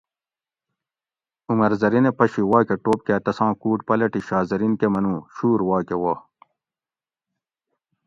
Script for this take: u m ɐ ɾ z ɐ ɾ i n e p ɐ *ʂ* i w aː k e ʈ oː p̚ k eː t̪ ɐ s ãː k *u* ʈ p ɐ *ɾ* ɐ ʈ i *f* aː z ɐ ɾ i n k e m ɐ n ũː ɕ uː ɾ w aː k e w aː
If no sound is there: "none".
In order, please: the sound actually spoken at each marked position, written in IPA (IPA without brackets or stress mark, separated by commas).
ɕ, uː, l, ɕ